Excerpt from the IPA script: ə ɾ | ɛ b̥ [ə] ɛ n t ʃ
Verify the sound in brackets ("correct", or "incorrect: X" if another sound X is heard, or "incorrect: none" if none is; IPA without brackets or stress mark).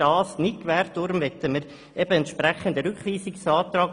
correct